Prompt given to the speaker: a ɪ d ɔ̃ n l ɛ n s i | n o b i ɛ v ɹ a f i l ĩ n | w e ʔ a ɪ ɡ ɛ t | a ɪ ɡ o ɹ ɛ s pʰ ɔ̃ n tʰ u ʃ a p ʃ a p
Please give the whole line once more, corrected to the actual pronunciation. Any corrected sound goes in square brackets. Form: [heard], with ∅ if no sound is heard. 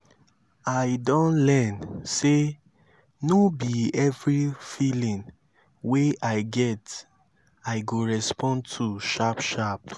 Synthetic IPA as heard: a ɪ d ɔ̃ n l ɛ n s [e] | n o b i ɛ v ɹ [i] f i l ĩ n | w e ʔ a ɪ ɡ ɛ t | a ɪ ɡ o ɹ ɛ s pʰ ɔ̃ n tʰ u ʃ a p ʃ a p